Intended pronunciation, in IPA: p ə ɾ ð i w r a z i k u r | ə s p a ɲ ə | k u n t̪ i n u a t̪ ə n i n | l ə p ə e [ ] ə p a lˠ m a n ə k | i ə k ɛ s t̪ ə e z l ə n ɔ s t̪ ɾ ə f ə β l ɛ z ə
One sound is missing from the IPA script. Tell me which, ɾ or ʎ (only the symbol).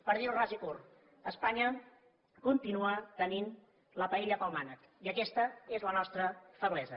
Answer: ʎ